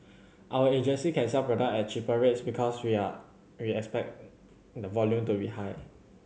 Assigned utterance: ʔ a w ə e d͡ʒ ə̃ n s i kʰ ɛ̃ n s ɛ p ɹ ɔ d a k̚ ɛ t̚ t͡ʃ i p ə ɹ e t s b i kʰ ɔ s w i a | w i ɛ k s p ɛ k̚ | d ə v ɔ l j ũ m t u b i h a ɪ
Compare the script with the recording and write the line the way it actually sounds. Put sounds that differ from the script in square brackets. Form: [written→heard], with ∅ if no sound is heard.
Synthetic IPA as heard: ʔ a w ə e d͡ʒ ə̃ n s i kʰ ɛ̃ n s ɛ p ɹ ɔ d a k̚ ɛ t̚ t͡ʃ i p ə ɹ e t s b i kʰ ɔ s w i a | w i ɛ k s p ɛ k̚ | d ə v ɔ l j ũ m t u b i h a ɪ